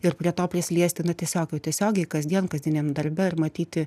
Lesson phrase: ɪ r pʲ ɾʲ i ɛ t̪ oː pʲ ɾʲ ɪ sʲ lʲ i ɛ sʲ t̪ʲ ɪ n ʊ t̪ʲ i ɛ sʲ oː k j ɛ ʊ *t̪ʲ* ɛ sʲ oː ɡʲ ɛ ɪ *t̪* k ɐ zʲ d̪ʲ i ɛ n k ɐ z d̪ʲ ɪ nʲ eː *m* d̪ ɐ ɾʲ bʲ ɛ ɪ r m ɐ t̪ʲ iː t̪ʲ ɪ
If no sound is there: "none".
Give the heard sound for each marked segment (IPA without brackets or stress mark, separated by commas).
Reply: t̪ʲ, none, m